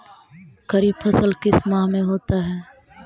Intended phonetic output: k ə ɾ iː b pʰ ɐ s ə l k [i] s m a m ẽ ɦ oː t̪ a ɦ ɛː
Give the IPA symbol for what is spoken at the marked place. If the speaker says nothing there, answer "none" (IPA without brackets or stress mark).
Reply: ɪ